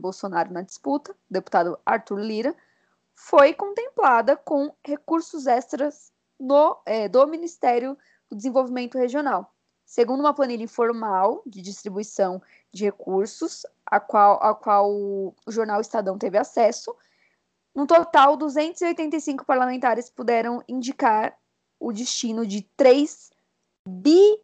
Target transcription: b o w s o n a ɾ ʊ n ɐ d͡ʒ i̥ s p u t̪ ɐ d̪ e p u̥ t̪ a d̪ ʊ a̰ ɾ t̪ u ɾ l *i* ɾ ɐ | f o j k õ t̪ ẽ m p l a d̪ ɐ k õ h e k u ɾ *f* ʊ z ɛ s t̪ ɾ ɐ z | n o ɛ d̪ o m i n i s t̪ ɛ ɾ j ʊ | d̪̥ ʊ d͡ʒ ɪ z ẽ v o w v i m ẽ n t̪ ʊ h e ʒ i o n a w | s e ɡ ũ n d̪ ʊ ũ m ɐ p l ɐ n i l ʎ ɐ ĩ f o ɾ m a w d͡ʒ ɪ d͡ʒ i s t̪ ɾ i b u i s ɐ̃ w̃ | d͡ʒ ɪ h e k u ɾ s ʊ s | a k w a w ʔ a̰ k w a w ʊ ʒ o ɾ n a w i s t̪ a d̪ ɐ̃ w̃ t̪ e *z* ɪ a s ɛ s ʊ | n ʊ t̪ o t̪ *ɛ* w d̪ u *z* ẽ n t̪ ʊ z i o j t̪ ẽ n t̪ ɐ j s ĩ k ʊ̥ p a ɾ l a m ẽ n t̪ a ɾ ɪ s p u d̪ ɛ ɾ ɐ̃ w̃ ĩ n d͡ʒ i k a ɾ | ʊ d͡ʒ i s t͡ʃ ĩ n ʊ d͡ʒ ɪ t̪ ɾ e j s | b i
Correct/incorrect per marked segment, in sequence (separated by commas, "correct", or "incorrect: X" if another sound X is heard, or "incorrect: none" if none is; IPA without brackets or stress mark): correct, incorrect: s, incorrect: v, incorrect: a, correct